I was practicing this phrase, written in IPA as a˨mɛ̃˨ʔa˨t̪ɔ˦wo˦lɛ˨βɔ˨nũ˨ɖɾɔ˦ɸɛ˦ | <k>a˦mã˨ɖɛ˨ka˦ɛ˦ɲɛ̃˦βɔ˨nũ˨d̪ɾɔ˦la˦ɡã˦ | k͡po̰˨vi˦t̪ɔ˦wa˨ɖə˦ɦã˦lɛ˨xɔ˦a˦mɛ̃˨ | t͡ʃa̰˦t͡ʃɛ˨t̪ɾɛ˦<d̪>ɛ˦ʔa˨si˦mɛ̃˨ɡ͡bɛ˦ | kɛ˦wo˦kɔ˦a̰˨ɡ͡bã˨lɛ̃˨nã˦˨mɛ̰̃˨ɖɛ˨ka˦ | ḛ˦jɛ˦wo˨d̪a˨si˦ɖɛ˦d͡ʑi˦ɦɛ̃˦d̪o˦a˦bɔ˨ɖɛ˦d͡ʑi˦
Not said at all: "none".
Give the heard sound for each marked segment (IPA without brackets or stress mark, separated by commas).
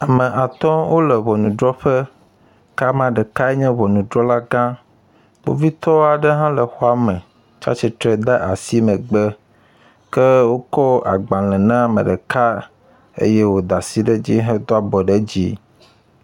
k, d̪